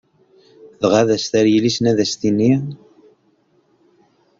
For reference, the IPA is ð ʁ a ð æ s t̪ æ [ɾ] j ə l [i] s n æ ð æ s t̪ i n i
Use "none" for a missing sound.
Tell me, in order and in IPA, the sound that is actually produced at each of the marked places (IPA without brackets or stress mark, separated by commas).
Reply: ɾ, i